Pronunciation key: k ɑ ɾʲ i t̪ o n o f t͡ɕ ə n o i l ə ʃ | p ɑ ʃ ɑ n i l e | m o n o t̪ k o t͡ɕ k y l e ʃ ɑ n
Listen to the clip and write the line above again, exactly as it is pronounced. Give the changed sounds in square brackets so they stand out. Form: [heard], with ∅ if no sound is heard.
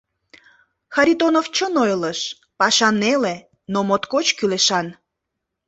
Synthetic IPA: [x] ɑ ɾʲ i t̪ o n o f t͡ɕ ə n o [j] l ə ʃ | p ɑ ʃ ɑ n [e] l e | [n] o [m] o t̪ k o t͡ɕ k y l e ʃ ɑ n